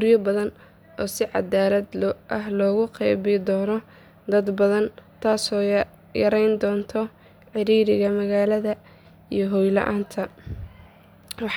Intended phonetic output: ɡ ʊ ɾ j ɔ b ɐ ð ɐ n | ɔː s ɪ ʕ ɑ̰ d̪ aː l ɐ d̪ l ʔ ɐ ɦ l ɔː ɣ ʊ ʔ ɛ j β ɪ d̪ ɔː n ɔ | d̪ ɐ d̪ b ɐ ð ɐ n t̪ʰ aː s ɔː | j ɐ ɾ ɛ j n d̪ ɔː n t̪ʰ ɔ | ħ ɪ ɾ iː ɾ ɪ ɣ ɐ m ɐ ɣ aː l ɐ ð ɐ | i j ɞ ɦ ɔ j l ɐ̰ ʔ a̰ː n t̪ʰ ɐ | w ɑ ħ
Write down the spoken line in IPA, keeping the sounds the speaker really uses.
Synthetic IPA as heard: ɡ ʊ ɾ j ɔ b ɐ ð ɐ n | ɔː s ɪ ʕ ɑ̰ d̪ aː l ɐ d̪ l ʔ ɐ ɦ l ɔː ɣ ʊ q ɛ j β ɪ d̪ ɔː n ɔ | d̪ ɐ d̪ b ɐ ð ɐ n t̪ʰ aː s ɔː | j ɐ ɾ ɛ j n d̪ ɔː n t̪ʰ ɔ | ħ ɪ ɾ iː ɾ ɪ ɣ ɐ m ɐ ɣ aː l ɐ ð ɐ | i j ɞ ɦ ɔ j l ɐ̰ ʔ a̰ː n t̪ʰ ɐ | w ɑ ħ